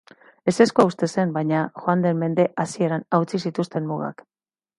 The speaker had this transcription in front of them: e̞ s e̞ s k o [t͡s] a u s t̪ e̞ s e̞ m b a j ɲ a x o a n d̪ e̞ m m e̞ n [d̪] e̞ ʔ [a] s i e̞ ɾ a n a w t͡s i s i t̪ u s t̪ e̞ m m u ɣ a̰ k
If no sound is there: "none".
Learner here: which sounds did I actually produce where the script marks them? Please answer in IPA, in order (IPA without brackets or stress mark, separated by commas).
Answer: none, d̪, a